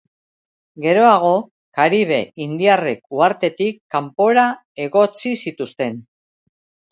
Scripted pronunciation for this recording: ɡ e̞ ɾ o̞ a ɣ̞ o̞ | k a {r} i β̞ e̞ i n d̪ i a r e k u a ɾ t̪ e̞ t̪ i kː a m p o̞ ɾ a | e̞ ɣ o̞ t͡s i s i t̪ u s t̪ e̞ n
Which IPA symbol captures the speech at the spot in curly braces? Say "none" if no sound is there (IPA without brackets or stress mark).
ɾ